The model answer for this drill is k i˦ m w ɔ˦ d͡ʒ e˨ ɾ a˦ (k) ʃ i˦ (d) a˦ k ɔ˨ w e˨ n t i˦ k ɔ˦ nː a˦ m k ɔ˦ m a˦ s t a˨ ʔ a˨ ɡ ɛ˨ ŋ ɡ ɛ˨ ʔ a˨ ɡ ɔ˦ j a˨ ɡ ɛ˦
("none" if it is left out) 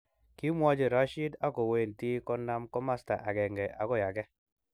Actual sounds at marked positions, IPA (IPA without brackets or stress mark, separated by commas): none, d